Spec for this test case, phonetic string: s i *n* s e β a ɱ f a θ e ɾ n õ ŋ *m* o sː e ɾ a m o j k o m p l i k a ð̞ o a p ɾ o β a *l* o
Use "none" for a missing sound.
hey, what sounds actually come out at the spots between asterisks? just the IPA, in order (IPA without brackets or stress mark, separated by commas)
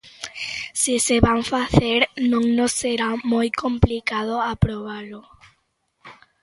none, n, l